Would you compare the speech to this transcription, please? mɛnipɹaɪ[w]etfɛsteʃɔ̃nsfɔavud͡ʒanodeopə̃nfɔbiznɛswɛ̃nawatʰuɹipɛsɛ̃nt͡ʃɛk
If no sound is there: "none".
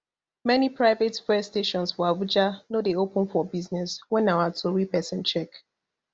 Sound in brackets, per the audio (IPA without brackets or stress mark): v